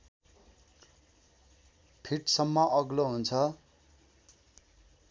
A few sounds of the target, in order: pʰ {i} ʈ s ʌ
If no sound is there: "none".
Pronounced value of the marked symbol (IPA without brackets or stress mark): i